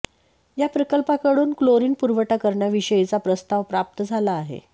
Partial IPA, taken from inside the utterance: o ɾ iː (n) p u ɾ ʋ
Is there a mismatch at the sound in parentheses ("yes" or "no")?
no